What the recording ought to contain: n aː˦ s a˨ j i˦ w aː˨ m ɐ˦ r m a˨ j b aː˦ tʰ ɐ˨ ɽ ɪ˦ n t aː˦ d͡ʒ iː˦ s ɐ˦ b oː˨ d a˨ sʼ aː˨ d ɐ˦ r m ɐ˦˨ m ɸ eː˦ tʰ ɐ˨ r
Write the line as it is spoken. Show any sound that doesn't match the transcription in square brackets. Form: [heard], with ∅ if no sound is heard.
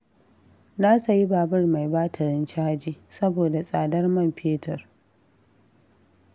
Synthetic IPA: n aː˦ s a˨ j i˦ [b] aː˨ [b] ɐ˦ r m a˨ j b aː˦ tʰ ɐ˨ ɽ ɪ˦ n [t͡ʃ] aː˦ d͡ʒ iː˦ s ɐ˦ b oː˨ d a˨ sʼ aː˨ d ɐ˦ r m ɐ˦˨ m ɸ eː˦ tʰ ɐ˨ r